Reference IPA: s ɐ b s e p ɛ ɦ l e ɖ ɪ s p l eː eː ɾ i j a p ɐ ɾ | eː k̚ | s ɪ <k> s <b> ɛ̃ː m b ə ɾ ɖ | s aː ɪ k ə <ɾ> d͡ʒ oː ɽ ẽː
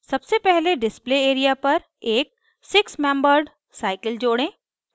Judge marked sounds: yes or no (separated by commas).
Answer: yes, no, no